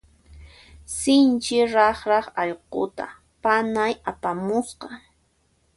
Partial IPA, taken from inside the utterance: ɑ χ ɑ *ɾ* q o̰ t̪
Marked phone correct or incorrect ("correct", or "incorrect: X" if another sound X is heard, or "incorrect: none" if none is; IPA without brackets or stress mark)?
incorrect: ʎ